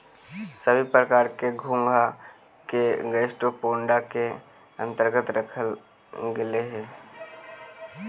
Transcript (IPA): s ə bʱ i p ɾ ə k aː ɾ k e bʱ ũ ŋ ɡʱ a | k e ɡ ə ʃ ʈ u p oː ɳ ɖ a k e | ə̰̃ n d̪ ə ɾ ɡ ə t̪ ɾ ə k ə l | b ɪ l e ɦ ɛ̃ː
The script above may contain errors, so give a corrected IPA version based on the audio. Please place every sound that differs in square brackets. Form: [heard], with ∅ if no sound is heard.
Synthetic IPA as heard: s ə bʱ i p ɾ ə k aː ɾ k e [ɡʱ] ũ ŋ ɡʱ a | k e ɡ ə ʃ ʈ [o] p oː ɳ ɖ a k e | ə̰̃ n [t̪] ə ɾ ɡ ə t̪ ɾ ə [kʰ] ə l | [ɡ] ɪ l e ɦ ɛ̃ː